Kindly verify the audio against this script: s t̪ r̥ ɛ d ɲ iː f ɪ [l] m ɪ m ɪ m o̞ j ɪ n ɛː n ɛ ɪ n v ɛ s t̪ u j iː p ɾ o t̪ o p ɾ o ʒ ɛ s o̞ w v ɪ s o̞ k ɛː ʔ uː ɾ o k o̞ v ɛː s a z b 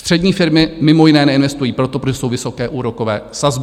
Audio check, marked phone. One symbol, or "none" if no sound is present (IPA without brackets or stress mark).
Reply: ɾ